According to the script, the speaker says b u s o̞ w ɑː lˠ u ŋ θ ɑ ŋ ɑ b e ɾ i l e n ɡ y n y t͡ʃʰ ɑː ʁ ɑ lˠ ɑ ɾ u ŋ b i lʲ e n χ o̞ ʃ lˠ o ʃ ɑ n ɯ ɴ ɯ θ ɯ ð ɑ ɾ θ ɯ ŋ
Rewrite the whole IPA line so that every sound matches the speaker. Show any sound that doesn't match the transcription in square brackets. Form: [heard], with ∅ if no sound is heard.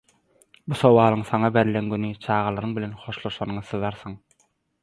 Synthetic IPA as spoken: b u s o̞ w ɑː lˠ [ɯ] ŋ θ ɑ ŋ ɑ b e ɾ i l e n ɡ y n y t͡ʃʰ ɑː ʁ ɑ lˠ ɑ ɾ [ɯ] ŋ b i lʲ e n χ o̞ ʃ lˠ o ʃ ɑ n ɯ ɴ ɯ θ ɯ ð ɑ ɾ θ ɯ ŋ